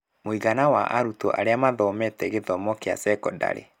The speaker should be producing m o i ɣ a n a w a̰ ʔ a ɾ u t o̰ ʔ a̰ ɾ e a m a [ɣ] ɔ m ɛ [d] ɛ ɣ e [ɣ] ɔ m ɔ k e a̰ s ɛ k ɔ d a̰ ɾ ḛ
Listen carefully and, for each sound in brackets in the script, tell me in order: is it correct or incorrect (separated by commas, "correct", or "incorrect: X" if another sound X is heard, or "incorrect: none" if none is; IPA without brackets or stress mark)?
incorrect: ð, incorrect: t, incorrect: ð